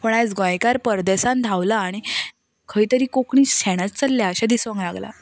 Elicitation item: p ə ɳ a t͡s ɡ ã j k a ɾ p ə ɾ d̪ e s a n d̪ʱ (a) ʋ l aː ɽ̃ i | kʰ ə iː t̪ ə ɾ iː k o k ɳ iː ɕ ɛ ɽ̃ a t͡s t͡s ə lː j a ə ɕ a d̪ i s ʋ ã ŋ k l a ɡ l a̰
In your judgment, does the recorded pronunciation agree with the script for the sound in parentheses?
yes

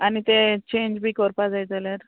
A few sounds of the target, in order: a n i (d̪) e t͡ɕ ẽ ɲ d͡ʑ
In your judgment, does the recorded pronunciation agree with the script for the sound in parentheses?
no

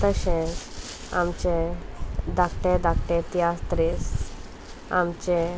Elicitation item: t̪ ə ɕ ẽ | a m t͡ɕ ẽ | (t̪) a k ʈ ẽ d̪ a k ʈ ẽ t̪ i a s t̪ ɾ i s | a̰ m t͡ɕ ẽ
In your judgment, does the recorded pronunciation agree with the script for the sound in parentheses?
no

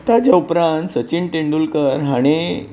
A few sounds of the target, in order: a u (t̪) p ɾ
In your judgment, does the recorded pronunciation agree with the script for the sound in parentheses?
no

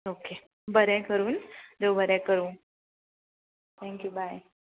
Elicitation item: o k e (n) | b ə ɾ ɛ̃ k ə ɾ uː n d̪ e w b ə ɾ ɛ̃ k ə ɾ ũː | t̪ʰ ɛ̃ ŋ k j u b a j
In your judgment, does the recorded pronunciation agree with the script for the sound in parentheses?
no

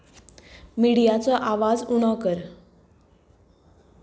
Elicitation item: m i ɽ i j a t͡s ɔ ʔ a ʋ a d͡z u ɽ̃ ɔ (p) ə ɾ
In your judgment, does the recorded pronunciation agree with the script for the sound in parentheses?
no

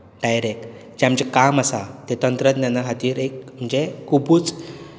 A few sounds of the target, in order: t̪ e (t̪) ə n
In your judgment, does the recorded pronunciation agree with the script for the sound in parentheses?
yes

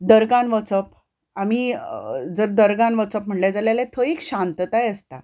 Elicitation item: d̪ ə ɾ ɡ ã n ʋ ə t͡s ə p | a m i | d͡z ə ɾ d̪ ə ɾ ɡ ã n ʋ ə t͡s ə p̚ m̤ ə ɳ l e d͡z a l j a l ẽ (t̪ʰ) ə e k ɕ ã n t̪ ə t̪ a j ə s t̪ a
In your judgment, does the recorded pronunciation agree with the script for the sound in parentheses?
yes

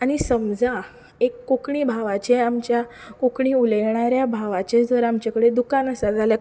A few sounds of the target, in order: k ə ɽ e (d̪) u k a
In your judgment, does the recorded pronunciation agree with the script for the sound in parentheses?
yes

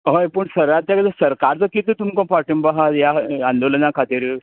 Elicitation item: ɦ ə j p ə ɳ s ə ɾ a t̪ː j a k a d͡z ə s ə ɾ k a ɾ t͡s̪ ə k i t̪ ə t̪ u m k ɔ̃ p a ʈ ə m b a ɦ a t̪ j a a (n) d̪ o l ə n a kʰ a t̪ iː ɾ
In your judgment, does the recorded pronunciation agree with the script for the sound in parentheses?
yes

